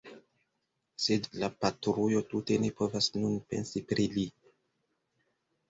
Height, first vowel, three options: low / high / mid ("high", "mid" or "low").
mid